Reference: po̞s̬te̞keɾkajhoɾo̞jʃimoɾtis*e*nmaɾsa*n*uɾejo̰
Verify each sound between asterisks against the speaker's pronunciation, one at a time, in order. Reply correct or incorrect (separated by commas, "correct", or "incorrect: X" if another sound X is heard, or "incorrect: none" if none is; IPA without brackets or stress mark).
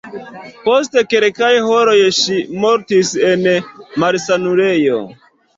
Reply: correct, correct